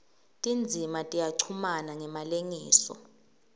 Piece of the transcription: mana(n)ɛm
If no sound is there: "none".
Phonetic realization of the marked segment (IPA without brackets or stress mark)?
ŋ